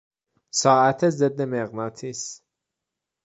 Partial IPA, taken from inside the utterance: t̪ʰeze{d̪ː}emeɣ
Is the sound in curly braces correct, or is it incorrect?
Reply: correct